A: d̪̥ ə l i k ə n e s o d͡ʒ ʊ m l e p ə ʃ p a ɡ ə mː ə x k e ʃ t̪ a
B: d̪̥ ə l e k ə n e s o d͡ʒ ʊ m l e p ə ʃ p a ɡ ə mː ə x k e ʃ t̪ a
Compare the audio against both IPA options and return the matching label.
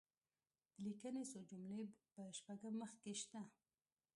A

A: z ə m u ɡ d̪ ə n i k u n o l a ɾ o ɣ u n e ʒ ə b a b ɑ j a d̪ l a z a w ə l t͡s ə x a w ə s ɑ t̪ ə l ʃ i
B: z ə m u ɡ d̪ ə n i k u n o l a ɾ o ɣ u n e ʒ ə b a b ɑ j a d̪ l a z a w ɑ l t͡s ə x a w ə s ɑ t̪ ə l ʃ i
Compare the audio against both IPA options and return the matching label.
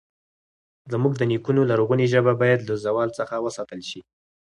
B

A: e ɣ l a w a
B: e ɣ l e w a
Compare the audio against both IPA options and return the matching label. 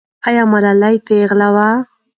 A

